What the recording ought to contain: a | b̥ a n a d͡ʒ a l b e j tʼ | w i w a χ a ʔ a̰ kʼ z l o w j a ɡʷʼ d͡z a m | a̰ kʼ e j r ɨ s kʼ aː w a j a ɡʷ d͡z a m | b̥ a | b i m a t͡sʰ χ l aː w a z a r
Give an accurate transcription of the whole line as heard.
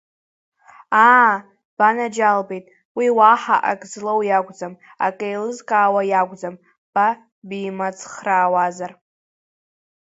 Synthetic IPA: a | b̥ a n a d͡ʒ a l b e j tʼ | w i w a ħ a ʔ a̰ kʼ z l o w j a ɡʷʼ d͡z a m | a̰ kʼ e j l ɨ z kʼ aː w a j a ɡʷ d͡z a m | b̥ a | b i m a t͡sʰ χ r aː w a z a r